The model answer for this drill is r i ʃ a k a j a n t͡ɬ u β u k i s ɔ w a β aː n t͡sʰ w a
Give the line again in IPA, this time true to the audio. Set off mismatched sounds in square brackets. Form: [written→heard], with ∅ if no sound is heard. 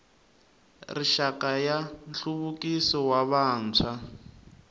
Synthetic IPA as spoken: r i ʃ a k a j a n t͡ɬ u β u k i s ɔ w a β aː n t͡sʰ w a